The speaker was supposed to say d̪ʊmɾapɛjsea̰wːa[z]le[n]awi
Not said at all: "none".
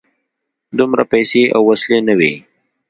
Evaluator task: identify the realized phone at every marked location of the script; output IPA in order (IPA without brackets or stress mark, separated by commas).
s, n